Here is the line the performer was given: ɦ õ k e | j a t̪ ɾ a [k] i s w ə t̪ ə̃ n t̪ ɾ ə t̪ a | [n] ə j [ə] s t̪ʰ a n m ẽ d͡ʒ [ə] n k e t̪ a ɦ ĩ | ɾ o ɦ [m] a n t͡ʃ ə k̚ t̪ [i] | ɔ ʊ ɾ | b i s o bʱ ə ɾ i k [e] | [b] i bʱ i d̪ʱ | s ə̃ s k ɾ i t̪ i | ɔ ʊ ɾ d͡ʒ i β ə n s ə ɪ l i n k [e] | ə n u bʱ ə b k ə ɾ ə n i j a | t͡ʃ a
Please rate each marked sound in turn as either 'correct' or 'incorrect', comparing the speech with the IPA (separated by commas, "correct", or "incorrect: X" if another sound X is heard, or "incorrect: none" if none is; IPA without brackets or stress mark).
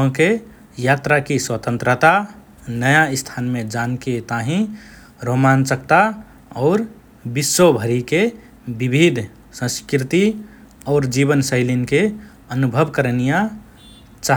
correct, correct, incorrect: a, incorrect: a, correct, incorrect: a, correct, correct, correct